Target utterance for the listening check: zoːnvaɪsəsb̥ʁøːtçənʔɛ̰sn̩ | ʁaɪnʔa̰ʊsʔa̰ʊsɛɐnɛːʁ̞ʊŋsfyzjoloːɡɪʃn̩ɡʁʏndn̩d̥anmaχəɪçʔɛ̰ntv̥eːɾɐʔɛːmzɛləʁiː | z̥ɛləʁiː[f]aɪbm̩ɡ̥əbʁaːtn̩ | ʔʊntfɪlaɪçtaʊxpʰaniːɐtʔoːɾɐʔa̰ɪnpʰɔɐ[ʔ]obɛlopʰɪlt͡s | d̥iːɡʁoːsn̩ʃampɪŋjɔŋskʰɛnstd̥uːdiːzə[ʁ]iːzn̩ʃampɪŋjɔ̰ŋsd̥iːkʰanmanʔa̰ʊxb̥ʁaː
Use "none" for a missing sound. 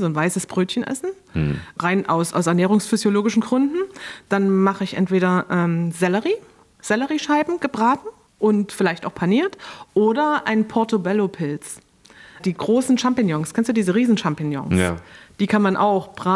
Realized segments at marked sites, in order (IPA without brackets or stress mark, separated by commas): ʃ, t, ʁ